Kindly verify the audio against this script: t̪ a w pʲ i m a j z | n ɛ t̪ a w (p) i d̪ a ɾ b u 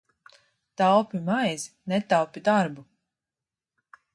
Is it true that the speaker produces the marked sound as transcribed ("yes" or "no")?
yes